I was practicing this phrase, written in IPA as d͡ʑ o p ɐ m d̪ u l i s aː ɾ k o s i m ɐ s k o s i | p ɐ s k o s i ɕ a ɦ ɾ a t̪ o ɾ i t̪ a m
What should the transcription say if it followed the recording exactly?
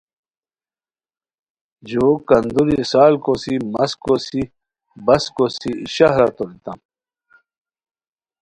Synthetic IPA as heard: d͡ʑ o k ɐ n d̪ u ɾ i s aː l k o s i m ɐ s k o s i | b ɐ s k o s i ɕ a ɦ ɾ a t̪ o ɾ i t̪ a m